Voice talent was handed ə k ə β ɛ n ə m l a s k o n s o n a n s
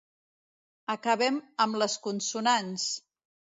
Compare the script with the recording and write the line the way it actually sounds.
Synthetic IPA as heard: ə k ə β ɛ m ə m l ə s k u n s u n a n s